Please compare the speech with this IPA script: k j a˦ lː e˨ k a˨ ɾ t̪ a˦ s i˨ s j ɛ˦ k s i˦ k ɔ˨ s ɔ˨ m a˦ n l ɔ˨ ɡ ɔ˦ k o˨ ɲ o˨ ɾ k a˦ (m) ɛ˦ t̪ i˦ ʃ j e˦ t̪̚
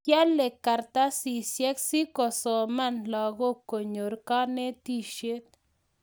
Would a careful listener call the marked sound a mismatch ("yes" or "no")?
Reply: yes